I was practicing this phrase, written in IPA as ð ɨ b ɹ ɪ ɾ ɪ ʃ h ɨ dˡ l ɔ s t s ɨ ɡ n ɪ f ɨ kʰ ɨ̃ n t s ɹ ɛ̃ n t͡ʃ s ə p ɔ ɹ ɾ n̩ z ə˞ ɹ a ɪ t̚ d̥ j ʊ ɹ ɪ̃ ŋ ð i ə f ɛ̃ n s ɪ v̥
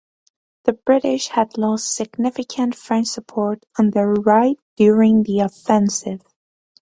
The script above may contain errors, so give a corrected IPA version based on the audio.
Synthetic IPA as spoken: ð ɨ b ɹ ɪ ɾ ɪ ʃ h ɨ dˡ l ɔ s t s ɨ ɡ n ɪ f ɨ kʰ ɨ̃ n t f ɹ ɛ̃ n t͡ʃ s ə pʰ ɔ ɹ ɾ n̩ ð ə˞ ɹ a ɪ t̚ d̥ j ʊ ɹ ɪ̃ ŋ ð i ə f ɛ̃ n s ɪ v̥